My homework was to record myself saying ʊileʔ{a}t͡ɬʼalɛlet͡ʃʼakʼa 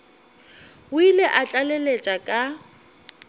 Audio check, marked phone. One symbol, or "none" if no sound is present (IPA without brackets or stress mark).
a